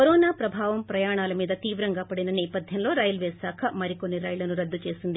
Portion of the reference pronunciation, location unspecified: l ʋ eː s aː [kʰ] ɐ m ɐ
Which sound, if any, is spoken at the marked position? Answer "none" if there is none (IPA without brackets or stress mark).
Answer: kʰ